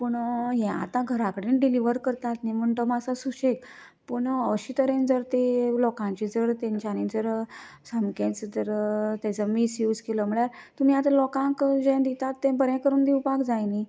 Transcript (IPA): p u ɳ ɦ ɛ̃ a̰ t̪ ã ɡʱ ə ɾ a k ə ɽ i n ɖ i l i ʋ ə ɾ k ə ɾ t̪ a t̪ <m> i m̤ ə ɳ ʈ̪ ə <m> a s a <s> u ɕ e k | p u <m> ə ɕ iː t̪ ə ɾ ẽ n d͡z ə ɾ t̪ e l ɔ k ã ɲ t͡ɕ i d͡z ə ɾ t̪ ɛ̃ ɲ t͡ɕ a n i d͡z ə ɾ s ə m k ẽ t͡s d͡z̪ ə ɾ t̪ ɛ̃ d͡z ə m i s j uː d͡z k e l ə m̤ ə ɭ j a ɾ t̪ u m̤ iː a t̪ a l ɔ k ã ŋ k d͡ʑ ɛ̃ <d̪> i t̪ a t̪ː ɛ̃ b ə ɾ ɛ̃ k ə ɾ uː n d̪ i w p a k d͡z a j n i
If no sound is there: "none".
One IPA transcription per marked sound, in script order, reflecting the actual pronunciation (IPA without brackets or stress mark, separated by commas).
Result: n, m, s, ɳ, d̪